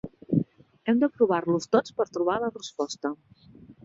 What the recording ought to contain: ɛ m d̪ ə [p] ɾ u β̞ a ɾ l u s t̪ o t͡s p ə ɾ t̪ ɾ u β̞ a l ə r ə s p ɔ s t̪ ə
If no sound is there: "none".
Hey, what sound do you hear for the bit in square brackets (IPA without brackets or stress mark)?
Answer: p